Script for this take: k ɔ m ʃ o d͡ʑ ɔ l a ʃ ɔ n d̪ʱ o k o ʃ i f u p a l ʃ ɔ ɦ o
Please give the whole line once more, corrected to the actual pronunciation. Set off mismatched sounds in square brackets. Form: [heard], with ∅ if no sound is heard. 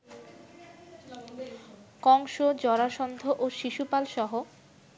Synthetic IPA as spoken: k ɔ [ŋ] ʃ o d͡ʑ ɔ [ɾ] a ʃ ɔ n d̪ʱ o [ʔ] o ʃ i [ʃ] u p a l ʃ ɔ ɦ o